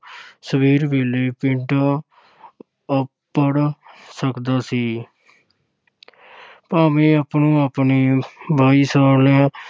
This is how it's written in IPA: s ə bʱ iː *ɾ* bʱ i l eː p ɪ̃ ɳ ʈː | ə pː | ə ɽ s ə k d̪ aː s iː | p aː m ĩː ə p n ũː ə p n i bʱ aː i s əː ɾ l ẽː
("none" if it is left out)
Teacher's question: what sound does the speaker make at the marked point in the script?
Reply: ɾ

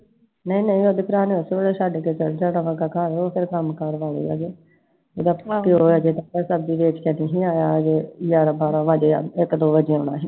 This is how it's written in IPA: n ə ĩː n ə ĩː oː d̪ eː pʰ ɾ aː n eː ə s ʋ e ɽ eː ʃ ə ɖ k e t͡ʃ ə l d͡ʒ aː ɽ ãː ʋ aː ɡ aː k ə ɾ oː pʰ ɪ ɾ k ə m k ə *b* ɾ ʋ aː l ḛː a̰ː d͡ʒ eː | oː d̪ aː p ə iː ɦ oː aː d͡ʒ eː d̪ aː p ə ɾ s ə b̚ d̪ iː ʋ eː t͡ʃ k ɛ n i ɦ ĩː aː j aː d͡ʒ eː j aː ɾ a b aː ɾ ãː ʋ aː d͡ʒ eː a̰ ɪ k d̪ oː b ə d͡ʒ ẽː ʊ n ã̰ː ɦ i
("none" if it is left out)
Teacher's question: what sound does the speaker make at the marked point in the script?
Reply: none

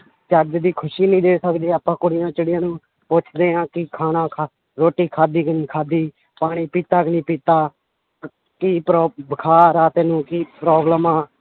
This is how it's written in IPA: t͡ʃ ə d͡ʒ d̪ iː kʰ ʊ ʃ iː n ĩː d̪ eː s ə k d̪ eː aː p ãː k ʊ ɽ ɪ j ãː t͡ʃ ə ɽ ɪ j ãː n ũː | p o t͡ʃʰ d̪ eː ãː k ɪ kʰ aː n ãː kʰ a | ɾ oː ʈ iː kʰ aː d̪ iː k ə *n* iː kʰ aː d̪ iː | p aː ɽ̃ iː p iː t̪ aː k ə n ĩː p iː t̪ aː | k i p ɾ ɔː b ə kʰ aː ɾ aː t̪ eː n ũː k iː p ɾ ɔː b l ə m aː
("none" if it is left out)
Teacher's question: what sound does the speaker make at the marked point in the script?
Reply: n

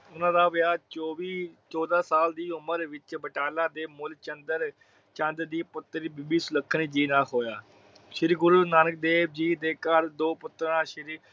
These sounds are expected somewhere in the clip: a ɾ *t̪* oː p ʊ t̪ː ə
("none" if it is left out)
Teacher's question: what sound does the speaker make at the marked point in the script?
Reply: d̪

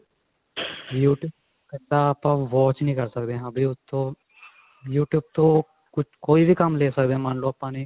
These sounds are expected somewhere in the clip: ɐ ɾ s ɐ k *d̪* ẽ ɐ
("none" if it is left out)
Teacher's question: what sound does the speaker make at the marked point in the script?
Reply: d̪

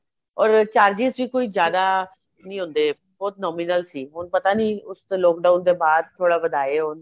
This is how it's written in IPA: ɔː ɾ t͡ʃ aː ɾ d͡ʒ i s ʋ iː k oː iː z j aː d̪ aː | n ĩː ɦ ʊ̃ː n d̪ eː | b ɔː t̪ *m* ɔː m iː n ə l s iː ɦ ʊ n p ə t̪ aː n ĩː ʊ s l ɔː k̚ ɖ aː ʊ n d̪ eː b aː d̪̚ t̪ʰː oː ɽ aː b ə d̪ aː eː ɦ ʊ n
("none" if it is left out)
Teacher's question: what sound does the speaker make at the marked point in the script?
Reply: n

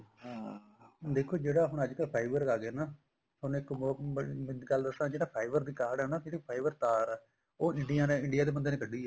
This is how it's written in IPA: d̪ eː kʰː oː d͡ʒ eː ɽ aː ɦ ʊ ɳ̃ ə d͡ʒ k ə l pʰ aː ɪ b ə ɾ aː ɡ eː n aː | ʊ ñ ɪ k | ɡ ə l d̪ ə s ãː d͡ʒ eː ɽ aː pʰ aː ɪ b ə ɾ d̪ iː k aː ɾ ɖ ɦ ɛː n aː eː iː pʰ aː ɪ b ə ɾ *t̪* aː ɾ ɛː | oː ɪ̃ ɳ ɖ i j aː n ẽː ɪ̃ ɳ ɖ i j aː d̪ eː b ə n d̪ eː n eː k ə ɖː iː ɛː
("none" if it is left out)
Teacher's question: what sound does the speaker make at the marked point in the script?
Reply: t̪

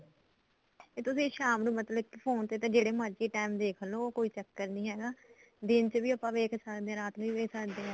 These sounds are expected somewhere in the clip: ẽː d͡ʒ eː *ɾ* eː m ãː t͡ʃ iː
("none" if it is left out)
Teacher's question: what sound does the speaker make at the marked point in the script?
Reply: ɽ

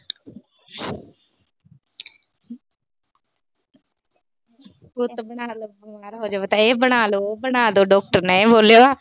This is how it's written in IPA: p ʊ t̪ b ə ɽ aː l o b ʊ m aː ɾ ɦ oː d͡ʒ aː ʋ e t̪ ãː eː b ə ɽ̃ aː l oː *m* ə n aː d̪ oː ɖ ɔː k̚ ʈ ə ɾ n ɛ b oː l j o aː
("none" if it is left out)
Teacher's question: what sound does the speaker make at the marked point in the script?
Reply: b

